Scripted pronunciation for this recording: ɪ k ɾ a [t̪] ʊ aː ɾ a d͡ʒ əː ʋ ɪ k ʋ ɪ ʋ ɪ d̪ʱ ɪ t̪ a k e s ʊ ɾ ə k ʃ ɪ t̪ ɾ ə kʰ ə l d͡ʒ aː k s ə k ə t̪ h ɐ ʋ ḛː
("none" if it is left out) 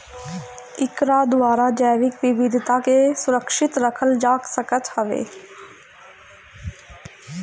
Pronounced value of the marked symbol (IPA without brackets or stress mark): d̪